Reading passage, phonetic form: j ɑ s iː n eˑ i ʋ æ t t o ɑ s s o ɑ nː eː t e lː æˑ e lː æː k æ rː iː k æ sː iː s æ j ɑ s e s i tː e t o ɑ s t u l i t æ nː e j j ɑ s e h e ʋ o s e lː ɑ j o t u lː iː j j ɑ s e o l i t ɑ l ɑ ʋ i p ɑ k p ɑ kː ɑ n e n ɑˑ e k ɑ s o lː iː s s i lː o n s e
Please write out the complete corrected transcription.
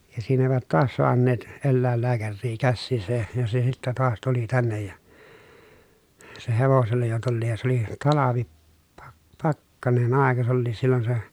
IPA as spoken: j ɑ s iː n eˑ i ʋ æ t t o ɑ s s o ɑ nː eː t e lː æˑ e lː æː k æ rː iː k æ sː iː s æ j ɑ s e s i tː æ t o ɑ s t u l i t æ nː e j j ɑ s e h e ʋ o s e lː ɑ j o t u lː iː j j ɑ s e o l i t ɑ l ɑ ʋ i p ɑ k p ɑ kː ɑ n e n ɑˑ e k ɑ s o lː iː s s i lː o n s e